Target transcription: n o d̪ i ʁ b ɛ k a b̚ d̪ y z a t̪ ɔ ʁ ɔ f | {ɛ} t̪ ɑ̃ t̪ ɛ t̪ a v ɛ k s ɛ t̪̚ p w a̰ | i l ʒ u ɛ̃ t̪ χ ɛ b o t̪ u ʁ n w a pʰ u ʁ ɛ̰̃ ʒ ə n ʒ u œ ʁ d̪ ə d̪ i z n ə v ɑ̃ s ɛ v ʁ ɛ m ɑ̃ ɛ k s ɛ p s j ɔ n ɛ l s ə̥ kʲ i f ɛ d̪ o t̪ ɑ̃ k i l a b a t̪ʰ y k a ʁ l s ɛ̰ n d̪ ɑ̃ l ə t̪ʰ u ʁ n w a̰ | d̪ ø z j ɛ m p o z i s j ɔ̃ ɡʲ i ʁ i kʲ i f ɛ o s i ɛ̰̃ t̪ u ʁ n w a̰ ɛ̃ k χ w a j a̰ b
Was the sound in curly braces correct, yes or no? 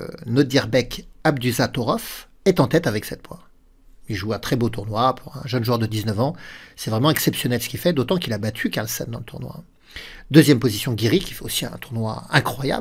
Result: yes